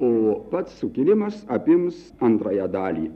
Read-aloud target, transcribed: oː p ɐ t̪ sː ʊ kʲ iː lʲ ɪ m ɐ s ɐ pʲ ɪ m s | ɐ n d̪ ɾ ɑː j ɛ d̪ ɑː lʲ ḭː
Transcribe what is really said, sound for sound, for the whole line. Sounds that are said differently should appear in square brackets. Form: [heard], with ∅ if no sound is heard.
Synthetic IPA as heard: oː p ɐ t̪ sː ʊ kʲ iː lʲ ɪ m ɐ s ɐ pʲ ɪ m s | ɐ n [t̪] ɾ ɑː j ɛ d̪ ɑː lʲ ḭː